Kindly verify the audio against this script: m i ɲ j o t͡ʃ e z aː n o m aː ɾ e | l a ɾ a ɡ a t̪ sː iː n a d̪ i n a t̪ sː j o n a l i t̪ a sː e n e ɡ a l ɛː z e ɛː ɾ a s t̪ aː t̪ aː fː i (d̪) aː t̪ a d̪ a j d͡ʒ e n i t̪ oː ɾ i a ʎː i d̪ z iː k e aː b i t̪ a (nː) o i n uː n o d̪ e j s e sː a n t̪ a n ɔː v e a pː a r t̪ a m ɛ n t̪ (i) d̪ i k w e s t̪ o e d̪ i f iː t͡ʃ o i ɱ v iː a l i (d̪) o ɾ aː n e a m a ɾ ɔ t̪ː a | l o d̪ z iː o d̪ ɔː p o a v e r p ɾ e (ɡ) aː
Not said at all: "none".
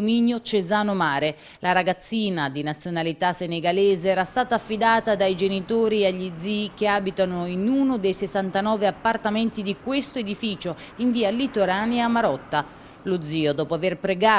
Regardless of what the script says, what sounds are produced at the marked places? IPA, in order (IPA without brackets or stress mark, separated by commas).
d̪, n, i, t̪, ɡ